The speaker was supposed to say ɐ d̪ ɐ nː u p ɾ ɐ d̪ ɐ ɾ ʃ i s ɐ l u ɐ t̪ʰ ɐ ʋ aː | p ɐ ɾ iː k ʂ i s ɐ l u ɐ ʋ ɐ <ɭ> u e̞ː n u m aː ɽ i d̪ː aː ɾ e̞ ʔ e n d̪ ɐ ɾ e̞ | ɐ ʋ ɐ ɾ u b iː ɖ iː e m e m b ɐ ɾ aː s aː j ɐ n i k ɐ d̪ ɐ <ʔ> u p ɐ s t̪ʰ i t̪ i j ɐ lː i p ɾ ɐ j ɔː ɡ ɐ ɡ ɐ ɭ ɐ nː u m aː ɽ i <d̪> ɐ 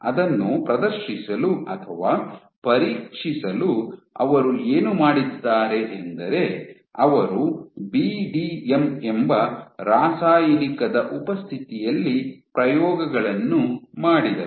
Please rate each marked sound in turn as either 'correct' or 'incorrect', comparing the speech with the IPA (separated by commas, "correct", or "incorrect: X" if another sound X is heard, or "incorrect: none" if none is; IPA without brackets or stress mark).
incorrect: ɾ, correct, correct